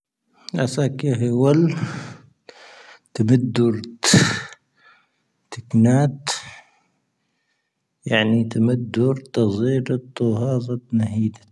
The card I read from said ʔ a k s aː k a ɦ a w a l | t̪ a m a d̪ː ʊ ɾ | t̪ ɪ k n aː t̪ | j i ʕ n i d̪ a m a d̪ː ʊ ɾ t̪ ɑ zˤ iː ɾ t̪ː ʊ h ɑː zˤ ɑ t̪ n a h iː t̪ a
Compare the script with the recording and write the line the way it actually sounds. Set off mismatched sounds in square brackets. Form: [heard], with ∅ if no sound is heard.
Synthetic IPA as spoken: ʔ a [∅] s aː k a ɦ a w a l | t̪ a m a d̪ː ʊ ɾ | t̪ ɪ k n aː t̪ | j [a] ʕ n i [t̪] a m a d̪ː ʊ ɾ t̪ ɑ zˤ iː ɾ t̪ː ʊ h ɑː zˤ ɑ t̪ n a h iː [d̪] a